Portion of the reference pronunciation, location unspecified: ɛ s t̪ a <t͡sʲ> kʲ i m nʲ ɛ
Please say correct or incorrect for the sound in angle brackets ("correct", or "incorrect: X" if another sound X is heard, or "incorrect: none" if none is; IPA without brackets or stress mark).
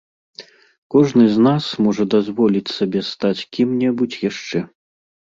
correct